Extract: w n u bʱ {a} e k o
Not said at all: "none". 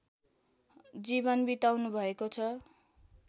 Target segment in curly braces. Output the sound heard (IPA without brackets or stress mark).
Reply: ʌ